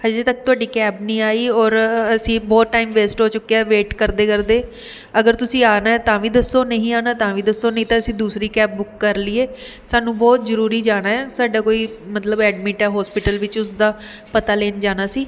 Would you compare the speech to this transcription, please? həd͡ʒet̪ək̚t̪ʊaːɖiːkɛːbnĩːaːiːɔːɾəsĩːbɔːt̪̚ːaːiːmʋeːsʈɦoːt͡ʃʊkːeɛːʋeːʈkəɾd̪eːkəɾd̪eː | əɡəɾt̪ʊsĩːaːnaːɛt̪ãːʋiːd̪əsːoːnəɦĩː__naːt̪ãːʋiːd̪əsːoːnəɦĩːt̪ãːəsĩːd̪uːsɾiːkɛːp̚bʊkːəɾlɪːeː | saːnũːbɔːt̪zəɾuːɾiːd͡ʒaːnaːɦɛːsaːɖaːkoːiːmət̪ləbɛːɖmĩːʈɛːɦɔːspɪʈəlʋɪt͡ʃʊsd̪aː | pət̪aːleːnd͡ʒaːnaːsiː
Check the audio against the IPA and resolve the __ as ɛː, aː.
aː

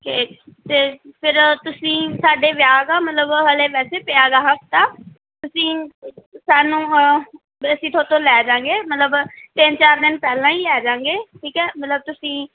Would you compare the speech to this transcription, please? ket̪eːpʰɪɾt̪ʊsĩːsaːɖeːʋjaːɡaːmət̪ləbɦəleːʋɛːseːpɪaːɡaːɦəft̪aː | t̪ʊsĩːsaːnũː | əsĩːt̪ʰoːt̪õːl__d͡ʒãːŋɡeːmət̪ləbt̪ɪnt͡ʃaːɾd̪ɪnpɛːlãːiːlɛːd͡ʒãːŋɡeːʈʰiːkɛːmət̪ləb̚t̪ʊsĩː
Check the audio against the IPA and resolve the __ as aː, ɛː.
ɛː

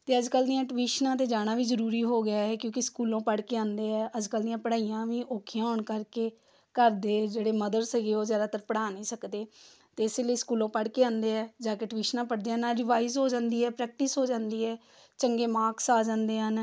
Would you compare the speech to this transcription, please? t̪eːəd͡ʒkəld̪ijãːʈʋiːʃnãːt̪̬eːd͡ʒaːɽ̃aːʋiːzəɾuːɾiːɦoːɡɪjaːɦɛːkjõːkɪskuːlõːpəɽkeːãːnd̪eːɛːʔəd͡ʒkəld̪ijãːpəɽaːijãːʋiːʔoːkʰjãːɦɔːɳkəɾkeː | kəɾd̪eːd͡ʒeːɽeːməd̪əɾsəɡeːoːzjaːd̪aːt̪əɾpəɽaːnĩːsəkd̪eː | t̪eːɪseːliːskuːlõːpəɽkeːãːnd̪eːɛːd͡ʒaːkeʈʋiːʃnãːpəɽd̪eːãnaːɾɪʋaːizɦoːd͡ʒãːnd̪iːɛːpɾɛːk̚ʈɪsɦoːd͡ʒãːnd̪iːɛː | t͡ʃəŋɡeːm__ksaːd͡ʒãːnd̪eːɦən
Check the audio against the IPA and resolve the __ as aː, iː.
aː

